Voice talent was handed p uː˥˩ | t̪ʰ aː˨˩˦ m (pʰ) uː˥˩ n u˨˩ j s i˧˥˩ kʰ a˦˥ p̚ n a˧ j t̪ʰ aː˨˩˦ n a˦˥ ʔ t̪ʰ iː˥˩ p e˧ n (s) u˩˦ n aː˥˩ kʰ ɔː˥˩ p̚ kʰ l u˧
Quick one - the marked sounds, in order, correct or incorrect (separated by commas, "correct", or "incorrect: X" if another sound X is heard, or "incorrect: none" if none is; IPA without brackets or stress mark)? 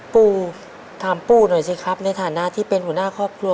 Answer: incorrect: p, incorrect: h